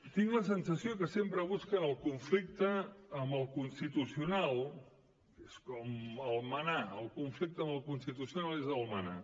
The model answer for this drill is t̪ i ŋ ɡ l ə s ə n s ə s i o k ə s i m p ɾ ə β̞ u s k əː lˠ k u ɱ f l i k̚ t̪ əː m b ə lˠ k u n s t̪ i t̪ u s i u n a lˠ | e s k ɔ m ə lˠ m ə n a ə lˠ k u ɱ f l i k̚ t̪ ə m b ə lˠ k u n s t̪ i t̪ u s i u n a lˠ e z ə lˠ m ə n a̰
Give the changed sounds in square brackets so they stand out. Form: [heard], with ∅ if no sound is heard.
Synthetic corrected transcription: t̪ i ŋ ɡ l ə s ə n s ə s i o k ə s [e] m p ɾ ə β̞ u s k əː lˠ k u ɱ f l i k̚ t̪ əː m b ə lˠ k u n s t̪ i t̪ u s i u n a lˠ | e s k ɔ m ə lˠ m ə n a ə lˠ k u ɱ f l i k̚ t̪ ə m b ə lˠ k u n s t̪ i t̪ u s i u n a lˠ e z ə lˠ m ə n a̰